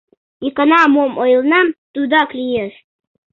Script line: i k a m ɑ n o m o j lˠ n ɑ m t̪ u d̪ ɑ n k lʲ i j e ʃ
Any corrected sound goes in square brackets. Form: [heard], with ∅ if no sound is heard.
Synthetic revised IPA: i k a [n] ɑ [m] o m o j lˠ n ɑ m t̪ u d̪ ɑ [∅] k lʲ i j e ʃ